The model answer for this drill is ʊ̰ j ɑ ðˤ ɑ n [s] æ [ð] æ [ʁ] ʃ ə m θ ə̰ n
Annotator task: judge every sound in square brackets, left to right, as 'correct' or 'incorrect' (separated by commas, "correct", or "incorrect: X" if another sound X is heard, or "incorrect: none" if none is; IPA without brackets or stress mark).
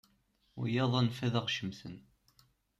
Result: incorrect: f, correct, correct